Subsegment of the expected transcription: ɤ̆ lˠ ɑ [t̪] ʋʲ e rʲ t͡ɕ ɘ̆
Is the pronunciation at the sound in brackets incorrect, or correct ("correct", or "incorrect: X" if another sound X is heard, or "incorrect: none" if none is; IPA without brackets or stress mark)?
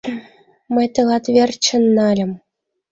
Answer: correct